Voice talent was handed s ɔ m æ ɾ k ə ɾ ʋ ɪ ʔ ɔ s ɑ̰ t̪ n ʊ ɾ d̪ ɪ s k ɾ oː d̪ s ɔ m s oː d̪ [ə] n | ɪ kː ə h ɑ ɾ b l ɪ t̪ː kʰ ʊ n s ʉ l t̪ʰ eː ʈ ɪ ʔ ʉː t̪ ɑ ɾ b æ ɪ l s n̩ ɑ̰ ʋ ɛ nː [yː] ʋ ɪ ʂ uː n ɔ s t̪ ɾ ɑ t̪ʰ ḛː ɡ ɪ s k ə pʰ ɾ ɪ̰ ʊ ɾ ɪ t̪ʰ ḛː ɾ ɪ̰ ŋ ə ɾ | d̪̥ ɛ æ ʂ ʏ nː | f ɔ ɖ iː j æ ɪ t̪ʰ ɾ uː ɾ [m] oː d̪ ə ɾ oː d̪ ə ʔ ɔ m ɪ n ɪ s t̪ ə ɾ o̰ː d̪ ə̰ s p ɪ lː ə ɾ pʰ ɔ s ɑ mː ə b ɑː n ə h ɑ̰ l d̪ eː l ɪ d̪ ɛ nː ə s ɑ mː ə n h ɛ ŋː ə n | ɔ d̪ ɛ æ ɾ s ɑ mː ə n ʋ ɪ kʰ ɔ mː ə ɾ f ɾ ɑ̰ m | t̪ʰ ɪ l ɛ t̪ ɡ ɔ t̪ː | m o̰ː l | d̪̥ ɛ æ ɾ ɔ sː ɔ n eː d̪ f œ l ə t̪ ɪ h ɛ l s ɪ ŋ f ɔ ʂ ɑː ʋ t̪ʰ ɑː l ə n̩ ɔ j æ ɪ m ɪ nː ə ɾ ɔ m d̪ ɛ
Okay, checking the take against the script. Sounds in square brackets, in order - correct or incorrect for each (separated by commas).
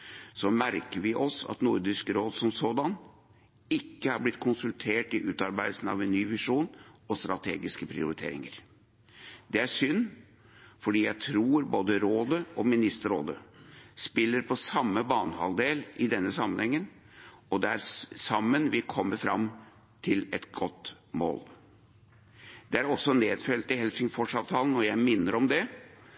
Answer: incorrect, correct, incorrect